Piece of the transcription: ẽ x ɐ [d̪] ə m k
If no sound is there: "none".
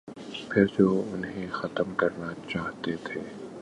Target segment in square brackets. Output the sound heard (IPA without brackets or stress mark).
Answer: t̪